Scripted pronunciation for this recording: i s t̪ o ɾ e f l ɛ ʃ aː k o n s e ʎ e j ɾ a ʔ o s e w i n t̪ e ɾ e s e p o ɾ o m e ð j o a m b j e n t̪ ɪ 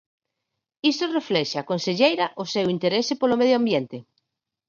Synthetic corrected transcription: i s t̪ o r e f l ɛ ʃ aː k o n s e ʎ e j ɾ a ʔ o s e w i n t̪ e ɾ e s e p o l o m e ð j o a m b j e n t̪ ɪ